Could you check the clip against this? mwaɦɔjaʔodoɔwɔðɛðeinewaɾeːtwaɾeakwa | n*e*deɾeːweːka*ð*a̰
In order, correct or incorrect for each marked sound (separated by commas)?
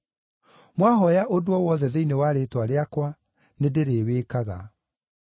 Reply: correct, incorrect